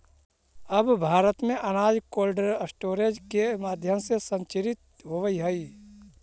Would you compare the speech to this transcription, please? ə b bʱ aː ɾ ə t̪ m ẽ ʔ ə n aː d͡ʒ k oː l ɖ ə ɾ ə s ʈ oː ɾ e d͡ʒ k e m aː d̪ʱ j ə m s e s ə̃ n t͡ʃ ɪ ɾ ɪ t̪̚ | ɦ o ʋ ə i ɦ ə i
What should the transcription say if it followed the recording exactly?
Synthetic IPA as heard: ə b bʱ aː ɾ ə t̪ m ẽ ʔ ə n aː d͡ʒ k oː l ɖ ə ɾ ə s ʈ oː ɾ e d͡ʒ k e m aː d̪ʱ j ə m s e s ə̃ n t͡ʃ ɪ ɾ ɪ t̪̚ | ɦ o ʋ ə i ɦ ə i